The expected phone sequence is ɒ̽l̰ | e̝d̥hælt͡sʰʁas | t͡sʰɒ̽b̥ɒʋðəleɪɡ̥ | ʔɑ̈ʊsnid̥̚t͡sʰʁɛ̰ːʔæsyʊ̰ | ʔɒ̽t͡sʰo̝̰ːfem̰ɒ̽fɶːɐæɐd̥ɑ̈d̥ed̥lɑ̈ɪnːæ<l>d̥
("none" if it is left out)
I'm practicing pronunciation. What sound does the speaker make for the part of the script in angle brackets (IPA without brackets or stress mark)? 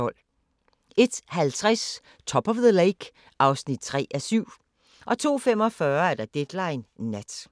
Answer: none